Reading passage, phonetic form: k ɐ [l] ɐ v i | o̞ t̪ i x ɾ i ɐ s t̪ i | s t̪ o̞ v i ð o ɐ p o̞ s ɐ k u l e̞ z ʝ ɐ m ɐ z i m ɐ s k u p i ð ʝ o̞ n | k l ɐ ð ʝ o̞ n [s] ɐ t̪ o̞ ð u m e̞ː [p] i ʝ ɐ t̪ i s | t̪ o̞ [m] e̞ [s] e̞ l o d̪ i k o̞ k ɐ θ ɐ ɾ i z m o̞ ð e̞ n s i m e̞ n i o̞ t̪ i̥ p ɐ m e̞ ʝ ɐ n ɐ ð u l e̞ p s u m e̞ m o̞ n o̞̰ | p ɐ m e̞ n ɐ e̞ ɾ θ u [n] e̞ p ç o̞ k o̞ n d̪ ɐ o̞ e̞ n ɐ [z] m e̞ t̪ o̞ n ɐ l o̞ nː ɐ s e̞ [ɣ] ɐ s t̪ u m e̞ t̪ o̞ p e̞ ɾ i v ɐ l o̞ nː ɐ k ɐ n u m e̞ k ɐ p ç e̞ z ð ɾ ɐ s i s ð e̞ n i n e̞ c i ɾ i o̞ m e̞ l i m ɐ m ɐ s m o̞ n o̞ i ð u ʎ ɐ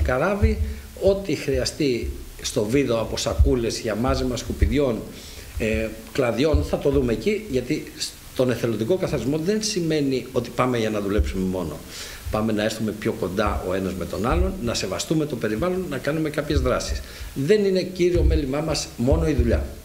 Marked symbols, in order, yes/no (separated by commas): no, no, no, no, no, no, yes, no